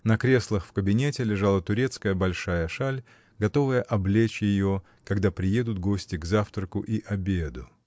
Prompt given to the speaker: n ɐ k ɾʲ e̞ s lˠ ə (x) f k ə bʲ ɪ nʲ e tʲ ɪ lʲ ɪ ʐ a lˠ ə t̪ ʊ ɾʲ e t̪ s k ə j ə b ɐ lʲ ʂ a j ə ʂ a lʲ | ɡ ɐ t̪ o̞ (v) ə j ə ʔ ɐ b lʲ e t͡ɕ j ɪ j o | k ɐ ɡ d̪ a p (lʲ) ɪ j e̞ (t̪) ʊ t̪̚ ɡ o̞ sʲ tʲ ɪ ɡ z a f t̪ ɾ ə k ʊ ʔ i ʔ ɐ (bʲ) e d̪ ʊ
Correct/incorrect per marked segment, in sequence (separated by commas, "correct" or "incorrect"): correct, correct, incorrect, incorrect, correct